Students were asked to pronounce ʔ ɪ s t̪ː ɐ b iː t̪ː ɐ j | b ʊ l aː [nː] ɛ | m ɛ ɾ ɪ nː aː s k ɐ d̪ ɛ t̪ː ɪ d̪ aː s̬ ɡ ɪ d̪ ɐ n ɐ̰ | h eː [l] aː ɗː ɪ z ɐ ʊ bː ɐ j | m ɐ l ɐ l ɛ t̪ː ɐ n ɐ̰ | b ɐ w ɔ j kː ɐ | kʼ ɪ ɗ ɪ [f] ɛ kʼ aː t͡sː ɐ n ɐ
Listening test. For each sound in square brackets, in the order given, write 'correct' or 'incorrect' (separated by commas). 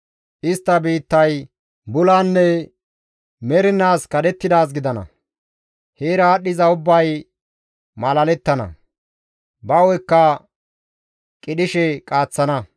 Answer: correct, incorrect, incorrect